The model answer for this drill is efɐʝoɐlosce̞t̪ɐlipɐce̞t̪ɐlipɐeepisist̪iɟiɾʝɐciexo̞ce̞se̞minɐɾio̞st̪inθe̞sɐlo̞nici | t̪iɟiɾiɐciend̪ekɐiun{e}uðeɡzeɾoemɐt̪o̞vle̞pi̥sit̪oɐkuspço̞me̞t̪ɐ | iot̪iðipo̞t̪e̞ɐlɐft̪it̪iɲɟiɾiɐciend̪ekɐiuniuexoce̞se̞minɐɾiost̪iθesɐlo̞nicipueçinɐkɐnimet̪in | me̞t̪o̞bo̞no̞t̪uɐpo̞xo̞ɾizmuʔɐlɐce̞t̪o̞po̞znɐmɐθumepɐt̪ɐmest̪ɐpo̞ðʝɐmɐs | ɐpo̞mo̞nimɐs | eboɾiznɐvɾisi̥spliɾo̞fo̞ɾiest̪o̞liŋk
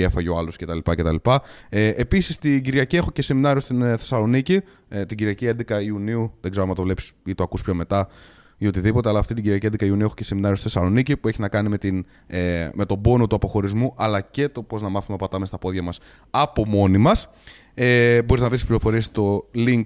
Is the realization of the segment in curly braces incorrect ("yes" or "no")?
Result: yes